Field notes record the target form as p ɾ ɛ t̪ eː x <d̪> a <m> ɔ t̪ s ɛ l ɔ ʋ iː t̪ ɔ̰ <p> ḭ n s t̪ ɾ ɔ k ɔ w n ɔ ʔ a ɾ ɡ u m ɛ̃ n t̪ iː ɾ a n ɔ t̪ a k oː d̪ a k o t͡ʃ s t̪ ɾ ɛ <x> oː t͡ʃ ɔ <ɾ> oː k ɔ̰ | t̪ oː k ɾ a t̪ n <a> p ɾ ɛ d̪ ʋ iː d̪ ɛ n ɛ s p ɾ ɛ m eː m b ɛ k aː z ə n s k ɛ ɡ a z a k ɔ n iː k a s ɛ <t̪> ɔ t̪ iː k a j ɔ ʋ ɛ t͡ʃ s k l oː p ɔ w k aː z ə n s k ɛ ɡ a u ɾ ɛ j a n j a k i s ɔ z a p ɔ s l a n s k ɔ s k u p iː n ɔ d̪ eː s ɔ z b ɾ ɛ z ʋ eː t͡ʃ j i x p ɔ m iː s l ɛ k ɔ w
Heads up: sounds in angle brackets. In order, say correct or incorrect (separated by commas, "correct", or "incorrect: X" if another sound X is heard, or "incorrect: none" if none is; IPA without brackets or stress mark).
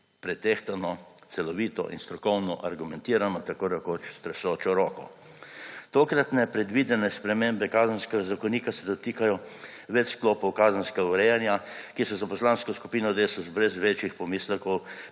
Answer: incorrect: t̪, incorrect: n, incorrect: ʔ, incorrect: s, correct, incorrect: ɛ, incorrect: d̪